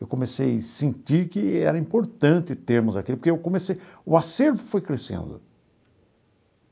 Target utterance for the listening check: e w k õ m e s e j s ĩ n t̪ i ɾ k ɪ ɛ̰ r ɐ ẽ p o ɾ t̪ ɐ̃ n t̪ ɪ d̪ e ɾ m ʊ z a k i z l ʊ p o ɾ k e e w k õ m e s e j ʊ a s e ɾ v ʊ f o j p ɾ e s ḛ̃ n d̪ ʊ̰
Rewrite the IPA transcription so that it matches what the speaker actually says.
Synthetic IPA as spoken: e w k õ m e s e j s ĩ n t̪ i ɾ k ɪ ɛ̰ ɾ ɐ ĩ p o ɾ t̪ ɐ̃ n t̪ ɪ t̪ e ɾ m ʊ z a k i l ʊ p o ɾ k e e w k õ m e s e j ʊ a s e ɾ v ʊ f o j k ɾ e s ḛ̃ n d̪ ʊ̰